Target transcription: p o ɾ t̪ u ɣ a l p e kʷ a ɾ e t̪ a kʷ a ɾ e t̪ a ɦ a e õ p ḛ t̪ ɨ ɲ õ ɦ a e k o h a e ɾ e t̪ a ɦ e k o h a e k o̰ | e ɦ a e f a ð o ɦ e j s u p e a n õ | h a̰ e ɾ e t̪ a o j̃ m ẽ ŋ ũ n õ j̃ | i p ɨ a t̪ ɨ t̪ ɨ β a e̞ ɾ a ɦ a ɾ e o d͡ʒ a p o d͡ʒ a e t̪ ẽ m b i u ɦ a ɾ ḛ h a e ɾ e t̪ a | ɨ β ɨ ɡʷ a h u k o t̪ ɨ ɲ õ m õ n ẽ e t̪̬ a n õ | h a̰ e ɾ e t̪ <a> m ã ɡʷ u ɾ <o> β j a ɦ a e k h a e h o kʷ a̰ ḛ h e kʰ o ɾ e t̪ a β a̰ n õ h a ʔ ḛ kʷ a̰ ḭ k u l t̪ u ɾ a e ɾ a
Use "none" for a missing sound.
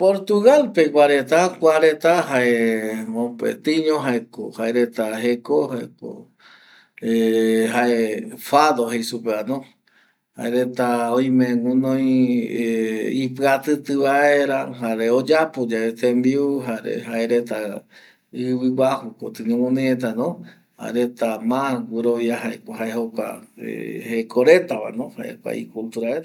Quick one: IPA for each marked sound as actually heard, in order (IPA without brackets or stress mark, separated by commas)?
a, o